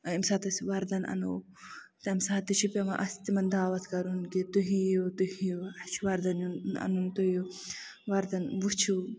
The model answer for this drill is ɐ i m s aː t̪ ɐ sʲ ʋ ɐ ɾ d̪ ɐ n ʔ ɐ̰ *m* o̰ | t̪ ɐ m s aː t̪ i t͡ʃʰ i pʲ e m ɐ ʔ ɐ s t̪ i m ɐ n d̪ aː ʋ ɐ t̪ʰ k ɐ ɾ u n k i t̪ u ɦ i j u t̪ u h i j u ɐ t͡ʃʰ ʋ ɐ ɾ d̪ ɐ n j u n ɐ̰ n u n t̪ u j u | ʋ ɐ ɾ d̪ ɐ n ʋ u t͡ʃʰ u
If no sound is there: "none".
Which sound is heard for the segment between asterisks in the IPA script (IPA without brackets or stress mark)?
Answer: n